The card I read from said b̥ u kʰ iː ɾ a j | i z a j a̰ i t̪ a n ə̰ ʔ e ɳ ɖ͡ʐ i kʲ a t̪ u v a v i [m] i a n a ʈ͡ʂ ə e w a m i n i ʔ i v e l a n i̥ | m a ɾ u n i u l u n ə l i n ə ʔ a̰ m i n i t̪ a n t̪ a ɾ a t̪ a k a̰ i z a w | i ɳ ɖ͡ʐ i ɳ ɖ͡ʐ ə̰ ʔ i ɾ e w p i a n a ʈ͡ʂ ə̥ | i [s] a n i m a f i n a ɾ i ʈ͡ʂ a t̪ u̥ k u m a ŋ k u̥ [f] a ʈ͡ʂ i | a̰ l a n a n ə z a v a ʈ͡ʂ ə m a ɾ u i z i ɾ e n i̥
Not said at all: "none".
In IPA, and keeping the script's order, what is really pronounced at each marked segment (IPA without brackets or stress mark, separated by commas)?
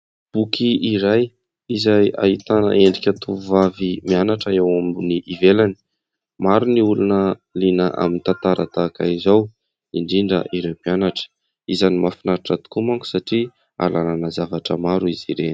m, z, s